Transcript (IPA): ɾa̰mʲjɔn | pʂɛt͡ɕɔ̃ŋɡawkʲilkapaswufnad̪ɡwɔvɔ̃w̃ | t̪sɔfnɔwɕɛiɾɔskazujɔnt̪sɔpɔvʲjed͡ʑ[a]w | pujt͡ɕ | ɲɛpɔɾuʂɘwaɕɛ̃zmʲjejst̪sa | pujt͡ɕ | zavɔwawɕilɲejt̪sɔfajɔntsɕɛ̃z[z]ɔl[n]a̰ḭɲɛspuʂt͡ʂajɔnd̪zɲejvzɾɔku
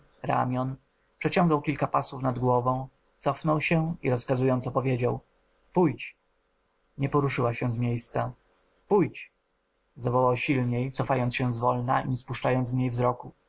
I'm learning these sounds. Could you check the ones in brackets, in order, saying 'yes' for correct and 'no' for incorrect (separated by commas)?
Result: yes, no, yes